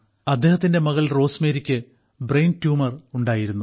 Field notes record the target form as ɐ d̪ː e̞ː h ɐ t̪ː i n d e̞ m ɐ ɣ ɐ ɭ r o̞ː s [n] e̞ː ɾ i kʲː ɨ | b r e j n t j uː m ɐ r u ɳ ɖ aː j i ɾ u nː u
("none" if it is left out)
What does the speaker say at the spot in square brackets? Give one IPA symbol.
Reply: m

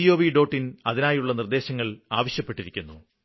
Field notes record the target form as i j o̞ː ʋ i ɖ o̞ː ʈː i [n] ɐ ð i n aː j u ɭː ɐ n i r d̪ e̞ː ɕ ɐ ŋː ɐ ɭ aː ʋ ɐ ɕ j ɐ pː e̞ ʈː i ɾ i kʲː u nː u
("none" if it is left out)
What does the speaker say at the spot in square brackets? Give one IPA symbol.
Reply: n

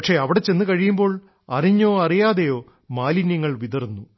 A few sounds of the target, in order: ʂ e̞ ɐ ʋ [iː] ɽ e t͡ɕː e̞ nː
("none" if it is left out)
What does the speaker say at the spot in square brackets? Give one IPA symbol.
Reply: i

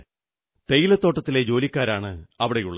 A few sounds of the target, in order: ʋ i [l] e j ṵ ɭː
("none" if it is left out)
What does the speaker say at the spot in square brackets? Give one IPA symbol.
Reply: ɽ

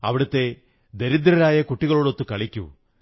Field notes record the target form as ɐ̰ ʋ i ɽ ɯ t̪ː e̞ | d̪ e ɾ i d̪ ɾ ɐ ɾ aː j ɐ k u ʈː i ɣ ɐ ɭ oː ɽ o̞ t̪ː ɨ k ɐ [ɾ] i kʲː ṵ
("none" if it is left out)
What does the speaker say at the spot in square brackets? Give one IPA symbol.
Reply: ɭ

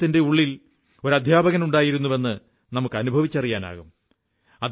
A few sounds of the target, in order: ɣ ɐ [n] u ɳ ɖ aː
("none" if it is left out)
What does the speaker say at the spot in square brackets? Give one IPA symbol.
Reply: n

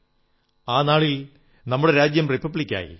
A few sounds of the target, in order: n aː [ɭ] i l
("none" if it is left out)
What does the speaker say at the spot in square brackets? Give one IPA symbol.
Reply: ɭ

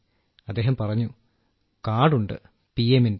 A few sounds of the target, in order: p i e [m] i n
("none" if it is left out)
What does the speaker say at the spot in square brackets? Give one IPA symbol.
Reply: m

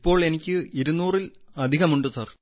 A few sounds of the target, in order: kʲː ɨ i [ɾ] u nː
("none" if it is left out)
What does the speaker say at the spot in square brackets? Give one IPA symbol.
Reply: ɾ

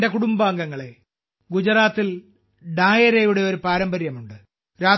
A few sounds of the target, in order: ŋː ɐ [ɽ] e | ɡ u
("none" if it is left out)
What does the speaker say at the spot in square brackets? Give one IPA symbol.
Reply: ɭ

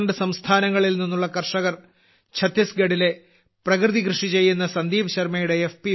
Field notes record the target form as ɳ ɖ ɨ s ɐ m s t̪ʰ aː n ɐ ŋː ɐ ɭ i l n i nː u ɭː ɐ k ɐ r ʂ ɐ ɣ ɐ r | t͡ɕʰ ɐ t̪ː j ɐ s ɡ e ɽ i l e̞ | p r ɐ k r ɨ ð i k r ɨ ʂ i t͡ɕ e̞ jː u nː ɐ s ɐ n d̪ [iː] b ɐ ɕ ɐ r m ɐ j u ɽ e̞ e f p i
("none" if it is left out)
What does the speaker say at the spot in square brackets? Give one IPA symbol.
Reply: iː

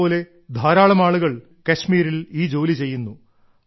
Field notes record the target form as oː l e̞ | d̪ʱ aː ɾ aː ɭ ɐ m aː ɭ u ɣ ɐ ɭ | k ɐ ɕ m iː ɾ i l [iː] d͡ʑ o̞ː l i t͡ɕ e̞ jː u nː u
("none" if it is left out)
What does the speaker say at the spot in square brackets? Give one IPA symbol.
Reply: iː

